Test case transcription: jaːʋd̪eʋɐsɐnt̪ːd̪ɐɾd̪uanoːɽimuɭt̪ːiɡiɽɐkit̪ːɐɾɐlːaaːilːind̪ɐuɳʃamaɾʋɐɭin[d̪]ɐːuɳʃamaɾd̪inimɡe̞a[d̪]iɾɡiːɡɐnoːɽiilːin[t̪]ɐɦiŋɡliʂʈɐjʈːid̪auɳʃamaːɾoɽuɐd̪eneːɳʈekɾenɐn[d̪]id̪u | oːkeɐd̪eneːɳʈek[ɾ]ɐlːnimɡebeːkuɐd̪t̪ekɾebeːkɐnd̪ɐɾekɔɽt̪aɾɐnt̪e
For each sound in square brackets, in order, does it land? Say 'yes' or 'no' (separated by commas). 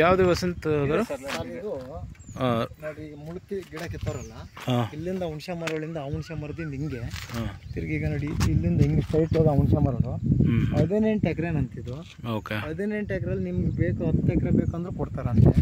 yes, no, no, no, yes